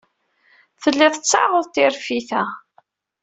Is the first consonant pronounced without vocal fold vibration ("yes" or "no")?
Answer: yes